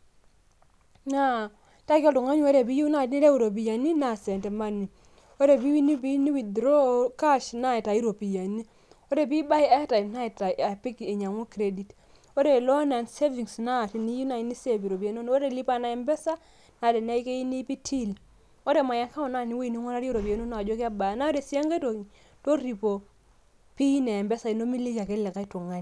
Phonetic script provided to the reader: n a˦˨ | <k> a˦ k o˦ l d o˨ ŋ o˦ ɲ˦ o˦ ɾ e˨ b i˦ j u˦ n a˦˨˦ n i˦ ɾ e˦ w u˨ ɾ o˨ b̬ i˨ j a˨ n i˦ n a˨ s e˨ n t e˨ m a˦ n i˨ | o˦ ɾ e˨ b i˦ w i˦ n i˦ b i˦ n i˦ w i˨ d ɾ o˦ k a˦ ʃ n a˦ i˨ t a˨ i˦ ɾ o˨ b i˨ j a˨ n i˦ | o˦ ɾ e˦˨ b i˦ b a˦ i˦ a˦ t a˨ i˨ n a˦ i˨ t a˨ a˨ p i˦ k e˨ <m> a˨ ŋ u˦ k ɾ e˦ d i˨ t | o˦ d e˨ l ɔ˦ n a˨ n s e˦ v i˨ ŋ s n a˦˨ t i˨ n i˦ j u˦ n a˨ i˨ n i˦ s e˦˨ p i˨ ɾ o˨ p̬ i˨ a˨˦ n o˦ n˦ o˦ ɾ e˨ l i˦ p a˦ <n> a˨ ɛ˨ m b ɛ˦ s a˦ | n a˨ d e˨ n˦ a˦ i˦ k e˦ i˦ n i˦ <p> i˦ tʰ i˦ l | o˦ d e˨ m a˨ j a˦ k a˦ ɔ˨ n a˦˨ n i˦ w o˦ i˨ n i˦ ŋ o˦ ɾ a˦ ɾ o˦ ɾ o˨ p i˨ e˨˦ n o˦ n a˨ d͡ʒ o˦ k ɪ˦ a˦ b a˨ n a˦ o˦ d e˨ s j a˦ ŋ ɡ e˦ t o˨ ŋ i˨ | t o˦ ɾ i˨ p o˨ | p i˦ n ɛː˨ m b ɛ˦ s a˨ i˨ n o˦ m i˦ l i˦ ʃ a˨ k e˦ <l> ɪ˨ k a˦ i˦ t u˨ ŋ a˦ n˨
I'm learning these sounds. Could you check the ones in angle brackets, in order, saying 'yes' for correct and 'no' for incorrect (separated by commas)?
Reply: no, no, yes, yes, yes